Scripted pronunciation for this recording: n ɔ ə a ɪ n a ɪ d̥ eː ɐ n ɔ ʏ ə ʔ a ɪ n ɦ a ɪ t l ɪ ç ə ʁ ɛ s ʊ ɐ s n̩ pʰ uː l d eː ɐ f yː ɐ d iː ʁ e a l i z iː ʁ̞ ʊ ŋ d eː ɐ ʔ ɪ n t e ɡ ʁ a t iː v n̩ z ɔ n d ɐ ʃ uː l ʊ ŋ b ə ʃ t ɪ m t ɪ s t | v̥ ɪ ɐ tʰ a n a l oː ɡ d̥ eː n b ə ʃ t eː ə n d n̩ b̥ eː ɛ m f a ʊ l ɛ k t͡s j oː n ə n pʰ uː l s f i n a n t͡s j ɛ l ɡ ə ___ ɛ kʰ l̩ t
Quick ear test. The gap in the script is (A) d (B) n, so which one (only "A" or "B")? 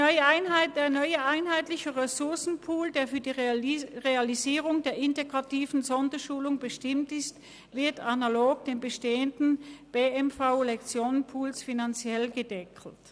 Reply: A